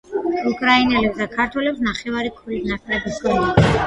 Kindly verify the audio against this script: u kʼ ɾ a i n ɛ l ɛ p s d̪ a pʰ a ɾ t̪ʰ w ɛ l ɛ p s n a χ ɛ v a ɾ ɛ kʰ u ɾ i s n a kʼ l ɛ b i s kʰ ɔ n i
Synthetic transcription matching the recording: u kʼ ɾ a i n ɛ l ɛ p s d̪ a kʰ a ɾ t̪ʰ w ɛ l ɛ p s n a χ ɛ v a ɾ i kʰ u ɾ i s n a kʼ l ɛ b i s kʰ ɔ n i